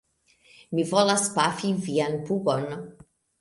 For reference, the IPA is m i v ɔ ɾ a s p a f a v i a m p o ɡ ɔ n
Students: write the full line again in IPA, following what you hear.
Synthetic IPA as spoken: m i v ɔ l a s p a f i v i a n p u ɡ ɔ n